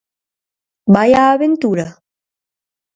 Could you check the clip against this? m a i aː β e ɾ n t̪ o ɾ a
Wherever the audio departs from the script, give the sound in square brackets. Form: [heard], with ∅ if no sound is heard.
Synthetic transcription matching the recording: [b] a [j] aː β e [∅] n t̪ [u] ɾ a